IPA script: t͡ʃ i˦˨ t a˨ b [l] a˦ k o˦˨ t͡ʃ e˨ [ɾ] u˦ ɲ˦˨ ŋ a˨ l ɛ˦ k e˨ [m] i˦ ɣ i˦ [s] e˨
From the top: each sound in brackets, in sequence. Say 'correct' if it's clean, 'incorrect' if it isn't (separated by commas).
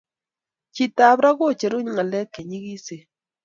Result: incorrect, correct, incorrect, correct